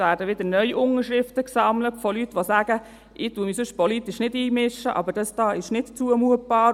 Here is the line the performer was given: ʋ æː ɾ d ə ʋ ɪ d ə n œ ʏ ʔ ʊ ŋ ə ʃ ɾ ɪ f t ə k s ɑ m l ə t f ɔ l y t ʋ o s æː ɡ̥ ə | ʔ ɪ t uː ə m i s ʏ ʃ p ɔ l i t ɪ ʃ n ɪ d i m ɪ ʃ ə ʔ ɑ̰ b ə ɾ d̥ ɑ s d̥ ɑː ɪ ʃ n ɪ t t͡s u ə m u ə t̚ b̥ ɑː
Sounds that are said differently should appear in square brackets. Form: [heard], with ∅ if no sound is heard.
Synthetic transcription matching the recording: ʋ æː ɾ d ə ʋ ɪ d ə n œ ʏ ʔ ʊ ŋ ə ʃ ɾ ɪ f t ə k s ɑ m l ə t f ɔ l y t ʋ o s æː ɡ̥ ə | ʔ ɪ t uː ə m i s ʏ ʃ p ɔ l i t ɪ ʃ n ɪ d [iː] m ɪ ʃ ə ʔ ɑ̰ b ə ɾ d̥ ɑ s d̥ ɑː ɪ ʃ n ɪ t t͡s u ə m u ə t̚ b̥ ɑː